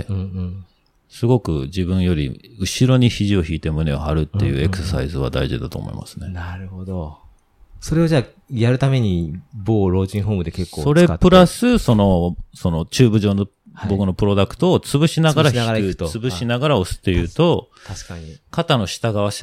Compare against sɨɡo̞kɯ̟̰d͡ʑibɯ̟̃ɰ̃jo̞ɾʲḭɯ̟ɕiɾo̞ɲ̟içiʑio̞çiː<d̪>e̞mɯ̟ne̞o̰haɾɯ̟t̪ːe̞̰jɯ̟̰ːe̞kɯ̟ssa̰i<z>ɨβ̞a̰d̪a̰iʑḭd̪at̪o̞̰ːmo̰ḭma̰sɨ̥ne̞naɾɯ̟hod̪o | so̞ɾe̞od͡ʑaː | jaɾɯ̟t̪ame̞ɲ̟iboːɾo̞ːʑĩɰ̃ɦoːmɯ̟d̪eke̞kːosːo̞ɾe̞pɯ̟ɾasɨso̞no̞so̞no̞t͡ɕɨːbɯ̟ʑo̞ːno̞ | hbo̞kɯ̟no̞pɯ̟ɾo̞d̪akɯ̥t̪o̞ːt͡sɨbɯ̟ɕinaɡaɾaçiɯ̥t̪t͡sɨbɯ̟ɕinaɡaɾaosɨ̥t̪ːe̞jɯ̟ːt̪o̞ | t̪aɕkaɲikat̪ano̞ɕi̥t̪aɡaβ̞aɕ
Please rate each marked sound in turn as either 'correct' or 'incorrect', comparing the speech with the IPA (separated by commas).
incorrect, correct